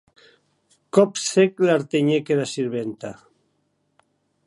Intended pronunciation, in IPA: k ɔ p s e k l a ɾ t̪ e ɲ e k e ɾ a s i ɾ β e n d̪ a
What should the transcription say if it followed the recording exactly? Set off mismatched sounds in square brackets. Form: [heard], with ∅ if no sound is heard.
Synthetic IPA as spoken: k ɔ p s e k l a ɾ t̪ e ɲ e k e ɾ a s i ɾ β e n [t̪] a

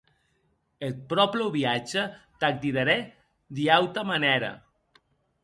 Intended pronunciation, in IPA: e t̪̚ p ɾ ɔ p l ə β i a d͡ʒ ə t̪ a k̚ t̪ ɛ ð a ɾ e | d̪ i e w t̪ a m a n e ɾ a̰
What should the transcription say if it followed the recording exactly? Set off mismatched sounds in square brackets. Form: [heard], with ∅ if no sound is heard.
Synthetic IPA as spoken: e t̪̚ p ɾ ɔ p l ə β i a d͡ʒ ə t̪ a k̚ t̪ [i] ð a ɾ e | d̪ i [a] w t̪ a m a n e ɾ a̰

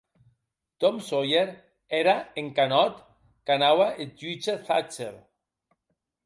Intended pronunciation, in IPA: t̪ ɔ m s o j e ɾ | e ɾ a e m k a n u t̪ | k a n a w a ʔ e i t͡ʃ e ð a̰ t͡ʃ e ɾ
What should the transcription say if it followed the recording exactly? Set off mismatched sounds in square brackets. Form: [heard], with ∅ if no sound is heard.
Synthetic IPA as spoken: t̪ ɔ m s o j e ɾ | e ɾ a e [ŋ] k a n [ɔ] t̪ | k a n a w a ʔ e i t͡ʃ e [θ] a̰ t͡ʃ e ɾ

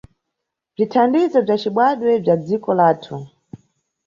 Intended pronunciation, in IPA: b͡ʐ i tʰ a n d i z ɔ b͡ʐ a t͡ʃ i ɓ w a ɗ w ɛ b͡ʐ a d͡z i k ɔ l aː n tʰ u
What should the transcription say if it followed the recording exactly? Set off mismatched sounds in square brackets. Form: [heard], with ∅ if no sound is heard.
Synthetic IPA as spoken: b͡ʐ i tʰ a n d i z ɔ b͡ʐ a t͡ʃ i ɓ w a ɗ w ɛ b͡ʐ a d͡z i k ɔ l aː [∅] tʰ u

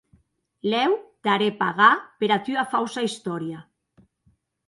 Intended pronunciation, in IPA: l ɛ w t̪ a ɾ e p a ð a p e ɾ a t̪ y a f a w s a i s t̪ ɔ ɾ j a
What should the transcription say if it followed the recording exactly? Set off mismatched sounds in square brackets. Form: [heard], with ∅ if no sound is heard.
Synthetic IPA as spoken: l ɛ w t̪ a ɾ e p a [ɣ] a p e ɾ a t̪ y a f a w s a i s t̪ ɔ ɾ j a

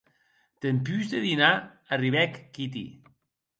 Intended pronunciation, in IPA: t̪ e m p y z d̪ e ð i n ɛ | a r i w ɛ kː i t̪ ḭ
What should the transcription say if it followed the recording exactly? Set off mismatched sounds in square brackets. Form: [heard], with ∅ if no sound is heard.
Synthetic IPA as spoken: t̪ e m p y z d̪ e ð i n [a] | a r i [β] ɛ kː i t̪ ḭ

